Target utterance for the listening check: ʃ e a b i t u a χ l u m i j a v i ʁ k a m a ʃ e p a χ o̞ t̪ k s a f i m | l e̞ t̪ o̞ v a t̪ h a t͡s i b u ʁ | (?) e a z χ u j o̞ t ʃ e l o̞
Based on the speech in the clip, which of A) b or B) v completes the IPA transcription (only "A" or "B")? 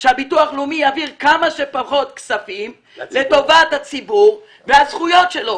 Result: B